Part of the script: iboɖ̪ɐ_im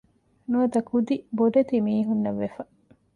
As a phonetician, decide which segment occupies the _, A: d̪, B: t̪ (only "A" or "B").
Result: B